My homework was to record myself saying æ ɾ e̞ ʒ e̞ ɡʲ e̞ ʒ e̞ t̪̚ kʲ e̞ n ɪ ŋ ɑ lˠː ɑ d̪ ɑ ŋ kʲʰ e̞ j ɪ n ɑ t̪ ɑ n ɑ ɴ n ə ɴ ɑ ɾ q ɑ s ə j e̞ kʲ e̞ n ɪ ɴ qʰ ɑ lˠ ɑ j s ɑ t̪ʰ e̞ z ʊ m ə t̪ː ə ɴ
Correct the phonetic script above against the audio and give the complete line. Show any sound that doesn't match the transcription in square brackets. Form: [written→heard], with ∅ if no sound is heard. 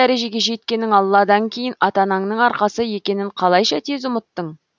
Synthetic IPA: æ ɾ e̞ ʒ e̞ ɡʲ e̞ ʒ e̞ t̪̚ kʲ e̞ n ɪ ŋ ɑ lˠː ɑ d̪ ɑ ŋ kʲʰ e̞ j ɪ n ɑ t̪ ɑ n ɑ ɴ n ə ɴ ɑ ɾ q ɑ s ə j e̞ kʲ e̞ n ɪ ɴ qʰ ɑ lˠ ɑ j [s→ʃ] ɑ t̪ʰ e̞ z ʊ m ə t̪ː ə ɴ

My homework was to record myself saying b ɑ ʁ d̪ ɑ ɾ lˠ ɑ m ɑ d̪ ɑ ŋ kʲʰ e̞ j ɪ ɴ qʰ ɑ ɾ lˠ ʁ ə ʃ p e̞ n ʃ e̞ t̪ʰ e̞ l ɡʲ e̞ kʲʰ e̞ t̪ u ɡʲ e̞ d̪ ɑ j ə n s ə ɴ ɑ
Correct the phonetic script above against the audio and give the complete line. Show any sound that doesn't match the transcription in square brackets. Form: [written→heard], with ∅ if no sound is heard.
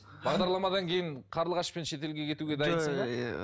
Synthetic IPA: b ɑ ʁ d̪ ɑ ɾ lˠ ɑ m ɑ d̪ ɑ ŋ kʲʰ e̞ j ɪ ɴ qʰ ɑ ɾ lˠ ʁ [ə→ɑ] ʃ p e̞ n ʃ e̞ [t̪ʰ→t̪] e̞ l ɡʲ e̞ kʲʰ e̞ t̪ u ɡʲ e̞ d̪ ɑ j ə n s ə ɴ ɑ

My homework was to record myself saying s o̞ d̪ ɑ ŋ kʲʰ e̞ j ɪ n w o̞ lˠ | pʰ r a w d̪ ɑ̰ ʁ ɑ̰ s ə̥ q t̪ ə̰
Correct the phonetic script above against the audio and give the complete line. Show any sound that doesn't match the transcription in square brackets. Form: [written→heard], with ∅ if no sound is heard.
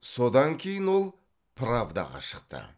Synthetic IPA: s o̞ d̪ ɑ ŋ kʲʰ e̞ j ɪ n w o̞ lˠ | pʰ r a [w→v] d̪ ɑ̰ ʁ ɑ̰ [s→ʃ] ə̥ q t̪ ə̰

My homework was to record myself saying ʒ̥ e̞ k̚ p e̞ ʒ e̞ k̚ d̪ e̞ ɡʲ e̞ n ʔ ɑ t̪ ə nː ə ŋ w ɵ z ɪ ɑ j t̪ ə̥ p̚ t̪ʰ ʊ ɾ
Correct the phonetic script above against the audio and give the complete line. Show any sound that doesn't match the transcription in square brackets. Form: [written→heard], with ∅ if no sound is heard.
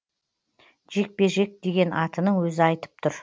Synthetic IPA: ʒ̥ e̞ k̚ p e̞ ʒ e̞ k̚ d̪ e̞ ɡʲ e̞ n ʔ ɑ t̪ ə [nː→n] ə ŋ w ɵ z ɪ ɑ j t̪ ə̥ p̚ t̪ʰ ʊ ɾ

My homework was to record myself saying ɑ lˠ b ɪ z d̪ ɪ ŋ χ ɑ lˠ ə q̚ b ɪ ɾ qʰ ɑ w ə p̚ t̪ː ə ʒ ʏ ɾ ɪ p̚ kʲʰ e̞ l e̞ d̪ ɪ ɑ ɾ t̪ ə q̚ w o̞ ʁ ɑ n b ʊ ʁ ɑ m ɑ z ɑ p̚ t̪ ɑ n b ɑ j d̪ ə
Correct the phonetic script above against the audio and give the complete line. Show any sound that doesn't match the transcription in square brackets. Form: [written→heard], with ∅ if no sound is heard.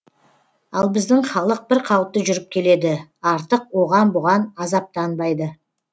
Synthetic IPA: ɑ lˠ b ɪ z d̪ ɪ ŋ χ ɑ lˠ ə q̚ b ɪ ɾ qʰ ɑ w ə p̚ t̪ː ə ʒ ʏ ɾ ɪ p̚ kʲʰ e̞ l e̞ d̪ ɪ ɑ ɾ t̪ ə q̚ w o̞ ʁ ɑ n b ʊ ʁ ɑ [m→n] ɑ z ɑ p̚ t̪ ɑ n b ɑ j d̪ ə

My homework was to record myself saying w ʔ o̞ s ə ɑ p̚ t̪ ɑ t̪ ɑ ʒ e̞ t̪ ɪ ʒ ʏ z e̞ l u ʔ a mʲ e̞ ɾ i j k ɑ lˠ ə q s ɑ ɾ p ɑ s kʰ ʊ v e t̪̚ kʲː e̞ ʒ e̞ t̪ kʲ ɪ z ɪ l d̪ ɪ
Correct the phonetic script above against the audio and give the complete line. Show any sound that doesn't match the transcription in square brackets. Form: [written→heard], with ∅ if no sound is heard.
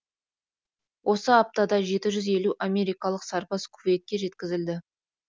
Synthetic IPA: w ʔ o̞ s ə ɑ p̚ t̪ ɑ [t̪→d̪] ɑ ʒ e̞ t̪ ɪ ʒ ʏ z e̞ l u ʔ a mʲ e̞ ɾ i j k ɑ lˠ ə q s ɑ ɾ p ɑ s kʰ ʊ v e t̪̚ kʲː e̞ ʒ e̞ t̪ kʲ ɪ z ɪ l d̪ ɪ

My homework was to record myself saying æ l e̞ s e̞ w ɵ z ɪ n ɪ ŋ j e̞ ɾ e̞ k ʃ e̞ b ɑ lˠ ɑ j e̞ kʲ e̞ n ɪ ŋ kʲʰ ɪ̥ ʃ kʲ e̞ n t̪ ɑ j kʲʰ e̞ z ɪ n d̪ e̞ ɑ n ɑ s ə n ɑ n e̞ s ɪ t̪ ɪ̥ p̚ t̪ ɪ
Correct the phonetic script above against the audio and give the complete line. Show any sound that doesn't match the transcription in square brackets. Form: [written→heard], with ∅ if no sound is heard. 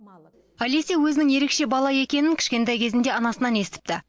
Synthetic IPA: æ l e̞ s e̞ w ɵ z ɪ n ɪ ŋ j e̞ ɾ e̞ k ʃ e̞ b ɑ lˠ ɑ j e̞ kʲ e̞ n ɪ ŋ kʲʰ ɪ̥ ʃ kʲ e̞ n t̪ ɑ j kʲʰ e̞ z ɪ n d̪ e̞ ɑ n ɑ s ə n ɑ n e̞ s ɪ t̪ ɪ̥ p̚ t̪ ɪ

